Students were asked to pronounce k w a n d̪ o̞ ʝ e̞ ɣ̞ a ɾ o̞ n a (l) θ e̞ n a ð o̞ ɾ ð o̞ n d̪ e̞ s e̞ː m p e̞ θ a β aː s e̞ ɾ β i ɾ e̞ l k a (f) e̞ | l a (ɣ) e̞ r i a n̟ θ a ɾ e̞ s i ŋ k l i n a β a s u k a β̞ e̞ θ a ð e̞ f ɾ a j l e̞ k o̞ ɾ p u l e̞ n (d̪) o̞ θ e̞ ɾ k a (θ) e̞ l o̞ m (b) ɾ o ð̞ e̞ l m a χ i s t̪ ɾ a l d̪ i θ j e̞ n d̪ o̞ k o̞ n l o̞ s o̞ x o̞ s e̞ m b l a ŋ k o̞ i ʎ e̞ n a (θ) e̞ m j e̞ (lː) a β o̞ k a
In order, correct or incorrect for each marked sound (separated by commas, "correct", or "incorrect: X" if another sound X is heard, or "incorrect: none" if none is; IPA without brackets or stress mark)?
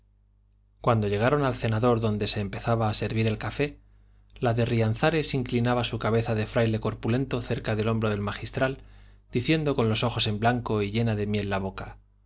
correct, correct, incorrect: ð, incorrect: t̪, incorrect: ð, correct, incorrect: ð, correct